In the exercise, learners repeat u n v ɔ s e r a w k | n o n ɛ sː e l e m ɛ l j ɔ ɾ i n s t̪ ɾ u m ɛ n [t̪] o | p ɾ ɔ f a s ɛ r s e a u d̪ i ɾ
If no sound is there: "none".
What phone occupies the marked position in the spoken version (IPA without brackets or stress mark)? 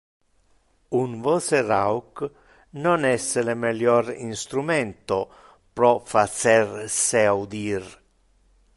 t̪